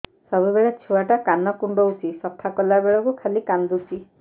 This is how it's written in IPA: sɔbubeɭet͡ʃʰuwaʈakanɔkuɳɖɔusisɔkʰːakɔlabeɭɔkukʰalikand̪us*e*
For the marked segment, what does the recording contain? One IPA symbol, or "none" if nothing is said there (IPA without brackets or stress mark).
i